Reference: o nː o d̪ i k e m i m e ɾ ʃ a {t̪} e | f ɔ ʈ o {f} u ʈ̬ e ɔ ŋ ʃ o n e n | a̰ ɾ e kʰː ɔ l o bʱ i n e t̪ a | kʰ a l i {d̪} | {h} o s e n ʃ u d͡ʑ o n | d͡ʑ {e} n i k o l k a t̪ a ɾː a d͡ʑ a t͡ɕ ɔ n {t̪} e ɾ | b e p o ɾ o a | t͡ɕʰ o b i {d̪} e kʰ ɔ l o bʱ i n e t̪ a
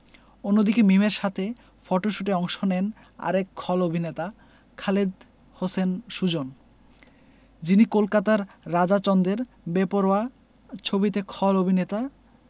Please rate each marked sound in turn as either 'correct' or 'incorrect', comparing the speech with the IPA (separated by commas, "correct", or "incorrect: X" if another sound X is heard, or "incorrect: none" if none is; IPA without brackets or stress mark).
incorrect: t̪ʰ, incorrect: ʃ, correct, correct, incorrect: i, incorrect: d̪, incorrect: t̪